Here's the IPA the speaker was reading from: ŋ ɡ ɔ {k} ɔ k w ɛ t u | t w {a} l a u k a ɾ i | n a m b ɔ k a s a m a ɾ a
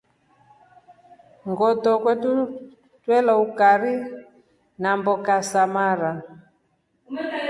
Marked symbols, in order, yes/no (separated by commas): no, no